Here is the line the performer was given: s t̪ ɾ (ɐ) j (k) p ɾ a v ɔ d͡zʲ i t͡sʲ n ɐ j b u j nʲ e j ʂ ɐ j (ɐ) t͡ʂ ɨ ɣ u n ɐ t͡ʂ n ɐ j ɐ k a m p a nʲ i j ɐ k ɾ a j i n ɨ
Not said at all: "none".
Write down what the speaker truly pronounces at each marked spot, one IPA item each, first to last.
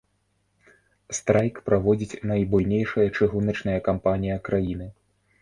a, k, ɐ

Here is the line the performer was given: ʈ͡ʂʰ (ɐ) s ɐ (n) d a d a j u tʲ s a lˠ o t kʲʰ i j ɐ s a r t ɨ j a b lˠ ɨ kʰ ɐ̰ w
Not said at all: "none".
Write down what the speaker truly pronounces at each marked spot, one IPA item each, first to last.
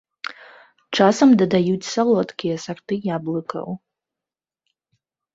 a, m

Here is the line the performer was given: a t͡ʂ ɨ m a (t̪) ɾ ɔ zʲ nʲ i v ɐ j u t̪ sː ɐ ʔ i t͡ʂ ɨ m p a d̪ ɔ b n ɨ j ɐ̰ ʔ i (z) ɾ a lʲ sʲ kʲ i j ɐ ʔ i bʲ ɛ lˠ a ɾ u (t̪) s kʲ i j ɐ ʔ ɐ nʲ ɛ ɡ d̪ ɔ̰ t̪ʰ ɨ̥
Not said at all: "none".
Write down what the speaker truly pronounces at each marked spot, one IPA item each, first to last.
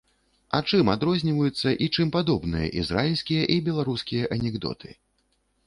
d̪, z, none

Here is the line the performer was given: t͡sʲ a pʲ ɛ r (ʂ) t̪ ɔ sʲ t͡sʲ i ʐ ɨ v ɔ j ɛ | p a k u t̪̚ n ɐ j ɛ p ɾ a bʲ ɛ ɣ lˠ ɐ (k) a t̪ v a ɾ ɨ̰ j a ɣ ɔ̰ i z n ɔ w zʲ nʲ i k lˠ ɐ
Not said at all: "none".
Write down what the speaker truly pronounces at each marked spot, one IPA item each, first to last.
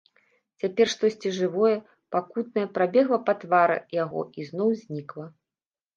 ʂ, p

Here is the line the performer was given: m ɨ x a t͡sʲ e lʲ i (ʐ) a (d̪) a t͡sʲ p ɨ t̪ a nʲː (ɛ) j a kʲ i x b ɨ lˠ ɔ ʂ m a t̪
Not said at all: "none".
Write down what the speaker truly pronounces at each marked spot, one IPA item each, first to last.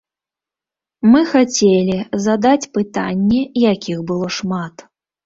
z, d̪, ɛ

